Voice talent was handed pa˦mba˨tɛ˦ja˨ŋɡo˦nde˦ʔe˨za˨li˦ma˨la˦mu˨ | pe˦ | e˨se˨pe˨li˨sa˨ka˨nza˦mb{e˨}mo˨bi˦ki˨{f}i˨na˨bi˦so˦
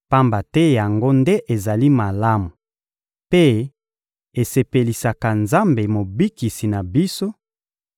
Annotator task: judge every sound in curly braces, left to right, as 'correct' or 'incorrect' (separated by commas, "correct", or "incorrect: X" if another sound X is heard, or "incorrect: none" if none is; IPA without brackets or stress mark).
correct, incorrect: s